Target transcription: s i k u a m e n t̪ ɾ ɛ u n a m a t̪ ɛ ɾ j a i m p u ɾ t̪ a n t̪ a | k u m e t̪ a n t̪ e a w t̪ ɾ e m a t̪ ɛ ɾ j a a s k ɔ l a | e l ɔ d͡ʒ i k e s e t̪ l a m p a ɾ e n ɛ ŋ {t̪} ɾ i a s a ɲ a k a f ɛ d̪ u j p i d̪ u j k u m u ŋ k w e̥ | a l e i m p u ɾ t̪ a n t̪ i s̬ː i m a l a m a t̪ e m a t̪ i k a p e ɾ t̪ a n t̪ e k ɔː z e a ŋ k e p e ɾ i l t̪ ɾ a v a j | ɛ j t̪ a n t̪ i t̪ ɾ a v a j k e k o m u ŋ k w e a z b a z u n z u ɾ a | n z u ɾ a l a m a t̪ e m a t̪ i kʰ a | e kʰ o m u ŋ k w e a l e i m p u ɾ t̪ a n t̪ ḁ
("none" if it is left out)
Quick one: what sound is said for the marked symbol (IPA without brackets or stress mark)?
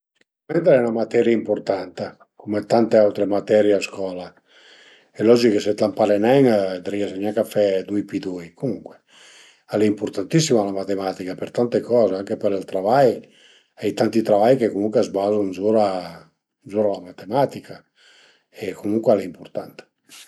d̪